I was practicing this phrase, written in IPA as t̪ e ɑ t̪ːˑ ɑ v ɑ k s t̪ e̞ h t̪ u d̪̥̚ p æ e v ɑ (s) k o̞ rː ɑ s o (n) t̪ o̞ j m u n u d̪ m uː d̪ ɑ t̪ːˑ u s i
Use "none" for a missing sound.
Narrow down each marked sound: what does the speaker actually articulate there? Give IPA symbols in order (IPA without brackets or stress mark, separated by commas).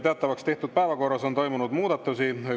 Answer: none, n